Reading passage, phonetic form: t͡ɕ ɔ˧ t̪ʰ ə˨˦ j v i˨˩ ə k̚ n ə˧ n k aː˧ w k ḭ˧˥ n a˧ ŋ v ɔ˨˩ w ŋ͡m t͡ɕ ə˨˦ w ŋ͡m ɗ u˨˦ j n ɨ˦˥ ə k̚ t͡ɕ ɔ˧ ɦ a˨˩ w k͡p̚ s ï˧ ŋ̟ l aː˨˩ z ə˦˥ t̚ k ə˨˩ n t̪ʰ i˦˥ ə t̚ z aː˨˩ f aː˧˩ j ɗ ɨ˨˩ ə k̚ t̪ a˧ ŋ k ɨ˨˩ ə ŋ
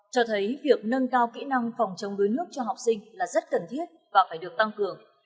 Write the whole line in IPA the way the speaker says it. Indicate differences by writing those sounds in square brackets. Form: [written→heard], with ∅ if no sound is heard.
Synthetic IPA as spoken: t͡ɕ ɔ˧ t̪ʰ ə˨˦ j v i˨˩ ə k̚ n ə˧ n k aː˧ w k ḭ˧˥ n a˧ ŋ [v→f] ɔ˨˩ w ŋ͡m t͡ɕ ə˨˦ w ŋ͡m ɗ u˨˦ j n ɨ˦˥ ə k̚ t͡ɕ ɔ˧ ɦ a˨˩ w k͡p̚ s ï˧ ŋ̟ l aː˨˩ z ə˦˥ t̚ k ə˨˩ n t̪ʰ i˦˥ ə t̚ [z→v] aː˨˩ f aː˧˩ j ɗ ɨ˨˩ ə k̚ t̪ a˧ ŋ k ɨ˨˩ ə ŋ